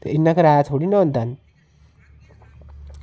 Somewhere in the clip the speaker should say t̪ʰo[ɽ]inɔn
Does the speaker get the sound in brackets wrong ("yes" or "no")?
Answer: no